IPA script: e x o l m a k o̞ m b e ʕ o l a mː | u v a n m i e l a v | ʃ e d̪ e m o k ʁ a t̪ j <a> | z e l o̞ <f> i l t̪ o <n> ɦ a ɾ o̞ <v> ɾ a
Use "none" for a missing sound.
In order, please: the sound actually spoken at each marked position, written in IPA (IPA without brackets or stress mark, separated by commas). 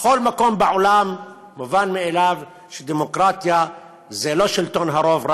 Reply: a, ʃ, n, v